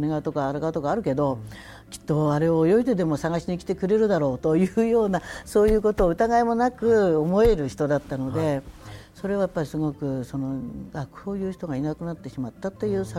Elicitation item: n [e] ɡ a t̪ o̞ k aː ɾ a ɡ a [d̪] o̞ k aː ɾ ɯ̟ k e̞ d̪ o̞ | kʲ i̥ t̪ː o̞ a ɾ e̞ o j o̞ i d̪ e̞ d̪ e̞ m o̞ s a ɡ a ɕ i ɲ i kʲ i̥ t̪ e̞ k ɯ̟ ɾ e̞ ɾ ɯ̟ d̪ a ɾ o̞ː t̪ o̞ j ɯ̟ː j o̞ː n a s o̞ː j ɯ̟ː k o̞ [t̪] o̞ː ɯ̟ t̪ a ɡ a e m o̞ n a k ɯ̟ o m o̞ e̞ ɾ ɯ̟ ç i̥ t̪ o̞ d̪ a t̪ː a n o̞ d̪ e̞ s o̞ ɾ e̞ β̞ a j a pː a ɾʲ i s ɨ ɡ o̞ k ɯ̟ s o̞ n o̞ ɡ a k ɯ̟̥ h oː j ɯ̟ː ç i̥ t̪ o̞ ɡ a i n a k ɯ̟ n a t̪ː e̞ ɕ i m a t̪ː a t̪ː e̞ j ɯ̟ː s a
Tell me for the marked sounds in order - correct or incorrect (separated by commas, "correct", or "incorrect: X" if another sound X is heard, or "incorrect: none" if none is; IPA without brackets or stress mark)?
correct, incorrect: t̪, correct